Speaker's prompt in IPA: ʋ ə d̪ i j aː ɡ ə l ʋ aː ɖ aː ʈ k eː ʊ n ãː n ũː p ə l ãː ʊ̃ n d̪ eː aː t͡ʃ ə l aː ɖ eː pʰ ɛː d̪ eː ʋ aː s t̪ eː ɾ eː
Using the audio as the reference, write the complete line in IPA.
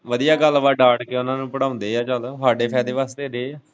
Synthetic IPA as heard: ʋ ə d̪ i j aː ɡ ə l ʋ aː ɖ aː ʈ k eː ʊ n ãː n ũː p ə ɽ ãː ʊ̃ n d̪ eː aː t͡ʃ ə l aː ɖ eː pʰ ɛː d̪ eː ʋ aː s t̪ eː ɾ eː